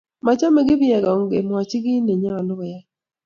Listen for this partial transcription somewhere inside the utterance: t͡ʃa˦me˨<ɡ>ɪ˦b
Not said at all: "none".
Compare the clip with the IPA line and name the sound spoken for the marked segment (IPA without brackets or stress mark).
ɡ